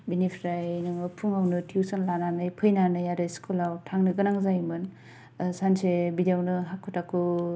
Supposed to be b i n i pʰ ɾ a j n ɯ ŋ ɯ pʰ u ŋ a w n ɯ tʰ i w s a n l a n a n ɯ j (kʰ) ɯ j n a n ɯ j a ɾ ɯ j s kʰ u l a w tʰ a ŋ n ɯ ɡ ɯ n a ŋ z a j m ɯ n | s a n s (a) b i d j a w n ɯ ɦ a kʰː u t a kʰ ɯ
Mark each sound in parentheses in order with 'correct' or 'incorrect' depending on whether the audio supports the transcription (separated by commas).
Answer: incorrect, incorrect